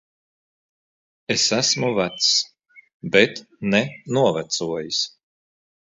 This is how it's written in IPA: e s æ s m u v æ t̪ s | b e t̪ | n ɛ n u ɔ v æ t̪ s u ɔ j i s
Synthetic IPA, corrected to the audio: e s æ s m u v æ t̪ s | b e t̪ | n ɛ n u ɔ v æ t̪ s u ɔ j i s